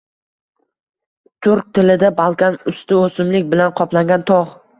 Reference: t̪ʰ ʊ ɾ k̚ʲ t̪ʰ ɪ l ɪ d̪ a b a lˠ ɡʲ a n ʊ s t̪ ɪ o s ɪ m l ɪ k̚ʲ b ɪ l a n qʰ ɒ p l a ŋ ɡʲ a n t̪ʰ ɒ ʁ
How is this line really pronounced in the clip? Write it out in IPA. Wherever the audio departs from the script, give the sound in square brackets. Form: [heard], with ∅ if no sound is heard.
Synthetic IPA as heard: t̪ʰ ʊ ɾ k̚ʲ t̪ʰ ɪ l ɪ d̪ a b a lˠ [kʲ] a n ʊ s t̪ ɪ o s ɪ m l ɪ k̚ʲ b ɪ l a n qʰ ɒ p l a ŋ ɡʲ a n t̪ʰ ɒ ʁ